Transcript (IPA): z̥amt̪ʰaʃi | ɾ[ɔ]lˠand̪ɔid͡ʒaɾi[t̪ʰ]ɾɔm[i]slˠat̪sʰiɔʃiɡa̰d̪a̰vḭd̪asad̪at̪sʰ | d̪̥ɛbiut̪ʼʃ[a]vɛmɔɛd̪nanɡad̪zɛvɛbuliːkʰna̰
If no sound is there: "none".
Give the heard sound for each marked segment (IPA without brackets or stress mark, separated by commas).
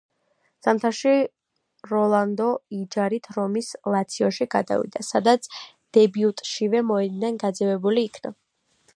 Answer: ɔ, t̪ʰ, i, i